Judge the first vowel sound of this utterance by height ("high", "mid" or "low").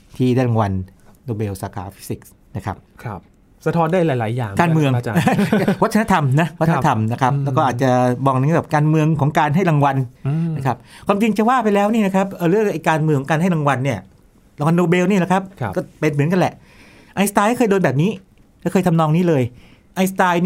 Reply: high